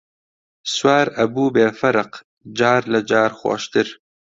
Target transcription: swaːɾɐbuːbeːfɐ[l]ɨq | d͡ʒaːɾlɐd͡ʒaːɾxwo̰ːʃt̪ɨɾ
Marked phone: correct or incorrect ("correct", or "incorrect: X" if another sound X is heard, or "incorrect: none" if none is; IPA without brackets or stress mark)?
incorrect: ɾ